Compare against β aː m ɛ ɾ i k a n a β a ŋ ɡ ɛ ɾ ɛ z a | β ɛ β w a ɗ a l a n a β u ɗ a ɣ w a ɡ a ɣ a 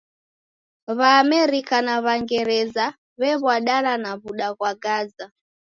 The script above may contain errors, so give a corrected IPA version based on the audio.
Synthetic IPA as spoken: β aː m ɛ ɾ i k a n a β a ŋ ɡ ɛ ɾ ɛ z a | β ɛ β w a ɗ a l a n a β u ɗ a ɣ w a ɡ a z a